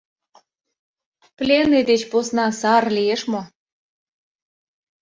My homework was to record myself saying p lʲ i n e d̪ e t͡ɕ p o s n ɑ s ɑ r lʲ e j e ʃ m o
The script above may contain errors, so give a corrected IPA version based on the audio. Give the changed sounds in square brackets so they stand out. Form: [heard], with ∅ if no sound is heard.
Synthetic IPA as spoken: p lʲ [e] n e d̪ e t͡ɕ p o s n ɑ s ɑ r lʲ [i] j e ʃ m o